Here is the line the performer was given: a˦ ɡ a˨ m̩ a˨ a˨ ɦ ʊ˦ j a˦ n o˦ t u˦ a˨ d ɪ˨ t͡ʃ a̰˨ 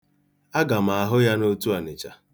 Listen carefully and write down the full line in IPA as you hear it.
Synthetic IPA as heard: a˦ ɡ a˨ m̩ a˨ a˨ ɦ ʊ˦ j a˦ n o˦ t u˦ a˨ n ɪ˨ t͡ʃ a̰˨